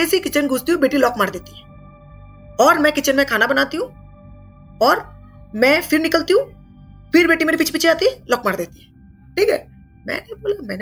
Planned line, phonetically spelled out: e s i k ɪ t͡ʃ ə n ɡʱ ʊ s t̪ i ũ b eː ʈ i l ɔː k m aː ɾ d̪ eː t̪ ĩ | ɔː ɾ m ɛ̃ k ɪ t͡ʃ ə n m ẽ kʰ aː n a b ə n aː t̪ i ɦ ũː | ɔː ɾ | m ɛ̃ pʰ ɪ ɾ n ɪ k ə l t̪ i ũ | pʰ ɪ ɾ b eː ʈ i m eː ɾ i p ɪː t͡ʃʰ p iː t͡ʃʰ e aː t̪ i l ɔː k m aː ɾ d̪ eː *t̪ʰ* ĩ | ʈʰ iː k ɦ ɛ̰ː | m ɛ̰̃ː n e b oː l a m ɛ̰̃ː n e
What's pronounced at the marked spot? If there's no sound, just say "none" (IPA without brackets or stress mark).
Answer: t̪